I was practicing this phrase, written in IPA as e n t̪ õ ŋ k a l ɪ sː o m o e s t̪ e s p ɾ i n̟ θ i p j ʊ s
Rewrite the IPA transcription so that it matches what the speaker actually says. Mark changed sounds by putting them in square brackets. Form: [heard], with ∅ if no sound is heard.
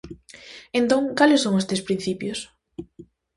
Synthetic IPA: e n t̪ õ ŋ k a l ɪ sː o [ŋ] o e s t̪ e s p ɾ i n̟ θ i p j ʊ s